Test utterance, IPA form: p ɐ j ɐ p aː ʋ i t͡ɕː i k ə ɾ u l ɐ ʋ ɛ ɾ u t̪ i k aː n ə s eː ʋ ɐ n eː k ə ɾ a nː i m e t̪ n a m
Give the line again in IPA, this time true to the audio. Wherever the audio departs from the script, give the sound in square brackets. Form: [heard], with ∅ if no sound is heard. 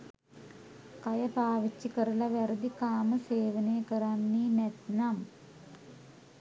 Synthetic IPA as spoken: [k] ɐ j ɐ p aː ʋ i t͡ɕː i k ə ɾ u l ɐ ʋ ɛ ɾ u [d̪] i k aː [m] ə s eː ʋ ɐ n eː k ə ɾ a nː i [n] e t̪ n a m